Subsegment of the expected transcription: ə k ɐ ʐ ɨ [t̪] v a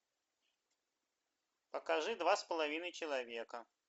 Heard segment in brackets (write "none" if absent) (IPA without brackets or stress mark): d̪